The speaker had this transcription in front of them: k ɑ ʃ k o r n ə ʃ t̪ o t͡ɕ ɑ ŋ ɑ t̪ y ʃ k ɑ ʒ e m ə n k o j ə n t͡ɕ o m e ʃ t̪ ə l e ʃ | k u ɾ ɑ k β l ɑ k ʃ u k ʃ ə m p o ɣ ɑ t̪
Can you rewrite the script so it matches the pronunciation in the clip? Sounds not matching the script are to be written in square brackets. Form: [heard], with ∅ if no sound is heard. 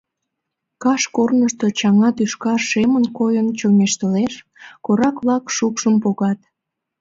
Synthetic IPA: k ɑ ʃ k o r n ə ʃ t̪ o t͡ɕ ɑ ŋ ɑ t̪ y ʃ k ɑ [ʃ] e m ə n k o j ə n t͡ɕ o m e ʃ t̪ ə l e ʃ | k [o] ɾ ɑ k β l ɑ k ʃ u k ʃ ə m p o ɣ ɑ t̪